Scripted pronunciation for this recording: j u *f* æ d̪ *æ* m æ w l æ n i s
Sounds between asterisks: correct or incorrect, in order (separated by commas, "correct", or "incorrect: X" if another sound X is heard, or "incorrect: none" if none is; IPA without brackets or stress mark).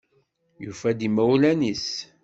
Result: correct, incorrect: i